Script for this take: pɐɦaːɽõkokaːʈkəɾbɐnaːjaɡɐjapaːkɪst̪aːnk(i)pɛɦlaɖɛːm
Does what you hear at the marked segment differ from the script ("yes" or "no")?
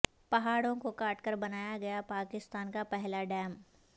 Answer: yes